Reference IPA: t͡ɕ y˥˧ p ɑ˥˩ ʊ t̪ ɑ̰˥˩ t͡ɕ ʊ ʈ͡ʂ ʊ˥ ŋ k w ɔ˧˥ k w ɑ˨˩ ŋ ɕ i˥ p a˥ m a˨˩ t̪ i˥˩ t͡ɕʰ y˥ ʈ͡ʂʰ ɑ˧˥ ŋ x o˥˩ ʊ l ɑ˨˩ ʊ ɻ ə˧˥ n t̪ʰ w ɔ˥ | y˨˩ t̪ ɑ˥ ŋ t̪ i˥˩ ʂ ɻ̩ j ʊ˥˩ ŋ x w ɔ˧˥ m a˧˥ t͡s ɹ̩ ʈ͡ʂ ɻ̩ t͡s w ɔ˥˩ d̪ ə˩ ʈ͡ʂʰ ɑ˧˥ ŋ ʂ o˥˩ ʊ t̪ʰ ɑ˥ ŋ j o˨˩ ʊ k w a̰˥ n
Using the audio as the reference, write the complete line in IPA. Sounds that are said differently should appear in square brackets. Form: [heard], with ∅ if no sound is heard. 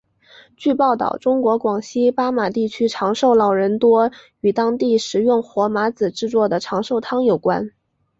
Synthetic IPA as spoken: t͡ɕ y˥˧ p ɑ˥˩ ʊ t̪ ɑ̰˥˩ [∅] ʊ ʈ͡ʂ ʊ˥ ŋ k w ɔ˧˥ k w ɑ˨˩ ŋ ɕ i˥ p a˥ m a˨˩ t̪ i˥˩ t͡ɕʰ y˥ ʈ͡ʂʰ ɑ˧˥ ŋ [ʂ] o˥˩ ʊ l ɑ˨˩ ʊ ɻ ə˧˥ n [t̪] w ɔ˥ | y˨˩ t̪ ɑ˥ ŋ t̪ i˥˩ ʂ ɻ̩ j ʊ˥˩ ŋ x w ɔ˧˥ m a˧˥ t͡s ɹ̩ ʈ͡ʂ ɻ̩ t͡s w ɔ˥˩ d̪ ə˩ ʈ͡ʂʰ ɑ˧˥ ŋ ʂ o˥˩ ʊ t̪ʰ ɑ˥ ŋ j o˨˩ ʊ k w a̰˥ n